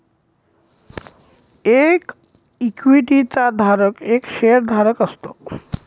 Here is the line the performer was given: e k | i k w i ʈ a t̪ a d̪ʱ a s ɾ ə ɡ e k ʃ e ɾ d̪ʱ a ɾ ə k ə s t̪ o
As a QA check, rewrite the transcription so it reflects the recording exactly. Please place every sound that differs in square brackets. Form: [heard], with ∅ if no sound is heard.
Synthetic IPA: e k | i k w i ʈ [i] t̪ a d̪ʱ a [∅] ɾ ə [k] e k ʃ e ɾ d̪ʱ a ɾ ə k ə s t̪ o